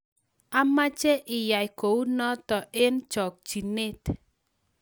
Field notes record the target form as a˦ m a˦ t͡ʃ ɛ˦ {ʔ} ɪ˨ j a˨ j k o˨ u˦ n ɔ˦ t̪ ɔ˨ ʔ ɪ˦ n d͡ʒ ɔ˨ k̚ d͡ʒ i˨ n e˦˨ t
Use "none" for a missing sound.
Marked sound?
ʔ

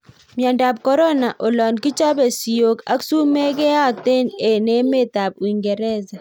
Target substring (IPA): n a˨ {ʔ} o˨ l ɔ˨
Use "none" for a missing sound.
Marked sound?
ʔ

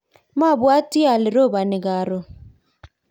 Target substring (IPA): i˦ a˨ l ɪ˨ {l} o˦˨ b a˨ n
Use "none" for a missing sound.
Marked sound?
ɾ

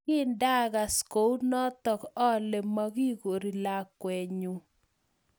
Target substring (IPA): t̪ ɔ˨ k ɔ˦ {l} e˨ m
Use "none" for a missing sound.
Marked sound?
l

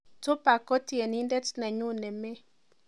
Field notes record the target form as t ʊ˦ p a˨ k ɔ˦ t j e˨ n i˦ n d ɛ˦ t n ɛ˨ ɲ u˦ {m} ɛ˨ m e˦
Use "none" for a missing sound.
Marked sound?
n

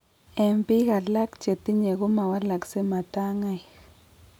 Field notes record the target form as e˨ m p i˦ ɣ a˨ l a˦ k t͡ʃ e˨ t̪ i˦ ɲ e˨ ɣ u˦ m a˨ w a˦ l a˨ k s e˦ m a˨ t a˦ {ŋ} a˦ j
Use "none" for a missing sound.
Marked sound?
ŋ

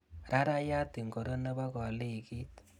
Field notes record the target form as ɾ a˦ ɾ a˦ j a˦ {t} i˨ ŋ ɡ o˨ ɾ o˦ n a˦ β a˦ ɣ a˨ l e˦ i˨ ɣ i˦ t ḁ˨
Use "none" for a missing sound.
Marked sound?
t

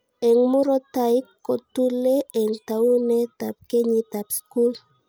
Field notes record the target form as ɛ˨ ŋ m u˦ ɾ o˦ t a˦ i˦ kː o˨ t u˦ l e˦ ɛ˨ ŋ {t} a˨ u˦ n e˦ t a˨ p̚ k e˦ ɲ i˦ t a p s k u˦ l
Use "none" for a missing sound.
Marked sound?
t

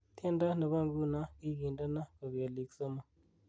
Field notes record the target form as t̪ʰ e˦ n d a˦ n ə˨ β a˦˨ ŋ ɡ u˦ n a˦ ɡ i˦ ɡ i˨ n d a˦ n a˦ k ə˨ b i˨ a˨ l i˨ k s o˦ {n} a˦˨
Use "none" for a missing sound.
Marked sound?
m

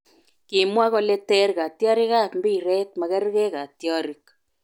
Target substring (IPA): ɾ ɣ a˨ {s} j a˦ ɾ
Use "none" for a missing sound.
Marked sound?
t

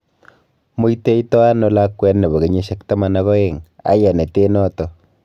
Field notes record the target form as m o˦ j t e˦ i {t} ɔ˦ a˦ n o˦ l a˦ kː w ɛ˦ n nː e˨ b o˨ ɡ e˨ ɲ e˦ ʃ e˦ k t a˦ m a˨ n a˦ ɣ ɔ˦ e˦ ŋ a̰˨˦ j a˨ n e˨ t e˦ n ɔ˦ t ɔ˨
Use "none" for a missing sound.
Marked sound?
t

